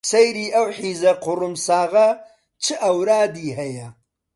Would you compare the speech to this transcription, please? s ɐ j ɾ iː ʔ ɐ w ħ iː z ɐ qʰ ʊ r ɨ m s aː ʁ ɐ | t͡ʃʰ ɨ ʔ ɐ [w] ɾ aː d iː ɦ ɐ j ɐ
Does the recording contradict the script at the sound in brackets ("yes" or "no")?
no